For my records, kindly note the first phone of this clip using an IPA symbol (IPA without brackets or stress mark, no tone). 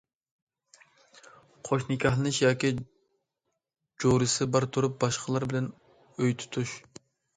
qʰ